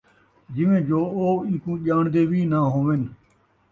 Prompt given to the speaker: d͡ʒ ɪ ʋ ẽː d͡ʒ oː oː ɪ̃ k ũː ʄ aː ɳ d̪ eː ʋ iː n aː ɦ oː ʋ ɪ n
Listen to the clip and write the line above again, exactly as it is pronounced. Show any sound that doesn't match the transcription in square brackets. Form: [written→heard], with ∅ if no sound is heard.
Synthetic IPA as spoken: d͡ʒ ɪ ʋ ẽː d͡ʒ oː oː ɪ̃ k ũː ʄ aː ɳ d̪ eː ʋ iː n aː ɦ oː ʋ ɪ n